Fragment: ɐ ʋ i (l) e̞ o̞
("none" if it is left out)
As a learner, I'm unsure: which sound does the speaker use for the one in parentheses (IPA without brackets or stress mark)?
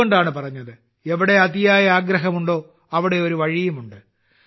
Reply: ɽ